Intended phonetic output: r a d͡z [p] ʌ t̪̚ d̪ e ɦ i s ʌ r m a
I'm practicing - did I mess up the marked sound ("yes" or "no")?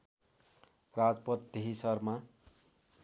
no